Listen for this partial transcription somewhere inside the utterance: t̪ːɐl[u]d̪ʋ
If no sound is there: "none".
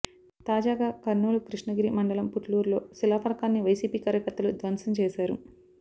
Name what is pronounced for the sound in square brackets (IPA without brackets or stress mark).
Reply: u